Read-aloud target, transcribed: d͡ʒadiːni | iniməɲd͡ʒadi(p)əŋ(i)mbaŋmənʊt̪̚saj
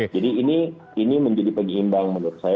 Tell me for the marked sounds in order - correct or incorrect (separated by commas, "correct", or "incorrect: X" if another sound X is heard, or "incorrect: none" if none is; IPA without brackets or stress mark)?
correct, correct